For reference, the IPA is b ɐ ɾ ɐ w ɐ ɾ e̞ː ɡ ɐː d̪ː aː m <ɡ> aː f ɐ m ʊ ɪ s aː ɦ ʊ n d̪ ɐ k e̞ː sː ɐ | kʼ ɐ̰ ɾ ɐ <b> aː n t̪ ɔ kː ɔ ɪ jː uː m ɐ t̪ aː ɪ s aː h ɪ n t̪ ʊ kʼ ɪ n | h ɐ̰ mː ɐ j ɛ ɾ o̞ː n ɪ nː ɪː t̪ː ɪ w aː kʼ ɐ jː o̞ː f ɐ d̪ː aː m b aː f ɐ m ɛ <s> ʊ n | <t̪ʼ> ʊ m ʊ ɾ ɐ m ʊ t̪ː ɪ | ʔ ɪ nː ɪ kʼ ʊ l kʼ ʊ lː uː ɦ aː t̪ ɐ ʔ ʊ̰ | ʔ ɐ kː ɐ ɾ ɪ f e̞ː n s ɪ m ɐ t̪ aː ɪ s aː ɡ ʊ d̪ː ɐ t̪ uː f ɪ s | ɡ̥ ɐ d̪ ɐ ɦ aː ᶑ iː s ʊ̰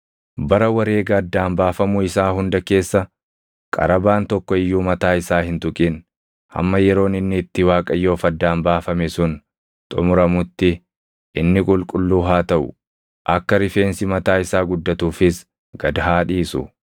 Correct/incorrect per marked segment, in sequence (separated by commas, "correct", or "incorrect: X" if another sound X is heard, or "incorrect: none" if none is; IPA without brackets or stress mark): incorrect: b, correct, correct, correct